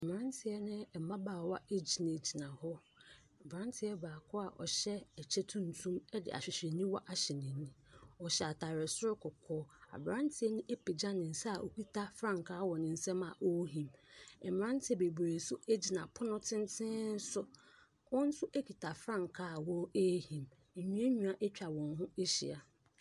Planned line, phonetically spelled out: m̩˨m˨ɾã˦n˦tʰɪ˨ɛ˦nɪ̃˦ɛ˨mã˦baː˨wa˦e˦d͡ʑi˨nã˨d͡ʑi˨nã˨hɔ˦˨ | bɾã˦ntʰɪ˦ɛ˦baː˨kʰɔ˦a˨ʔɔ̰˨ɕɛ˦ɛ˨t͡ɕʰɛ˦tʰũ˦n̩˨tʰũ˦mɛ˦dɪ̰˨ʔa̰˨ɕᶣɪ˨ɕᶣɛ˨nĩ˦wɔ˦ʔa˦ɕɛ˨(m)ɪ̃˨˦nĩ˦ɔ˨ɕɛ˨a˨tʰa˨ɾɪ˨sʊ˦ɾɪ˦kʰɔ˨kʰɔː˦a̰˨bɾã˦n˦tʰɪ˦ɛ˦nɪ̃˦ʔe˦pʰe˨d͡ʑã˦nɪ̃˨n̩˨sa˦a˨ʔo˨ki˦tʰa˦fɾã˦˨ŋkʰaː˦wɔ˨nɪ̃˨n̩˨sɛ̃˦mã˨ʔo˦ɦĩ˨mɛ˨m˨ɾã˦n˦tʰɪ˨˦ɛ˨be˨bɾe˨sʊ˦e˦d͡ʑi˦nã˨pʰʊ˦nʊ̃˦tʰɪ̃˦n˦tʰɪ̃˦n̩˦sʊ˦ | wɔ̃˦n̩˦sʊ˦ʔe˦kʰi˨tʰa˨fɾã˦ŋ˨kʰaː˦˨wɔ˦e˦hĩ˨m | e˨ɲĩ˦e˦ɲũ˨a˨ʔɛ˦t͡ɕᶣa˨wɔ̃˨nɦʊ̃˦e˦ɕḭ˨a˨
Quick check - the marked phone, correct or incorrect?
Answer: incorrect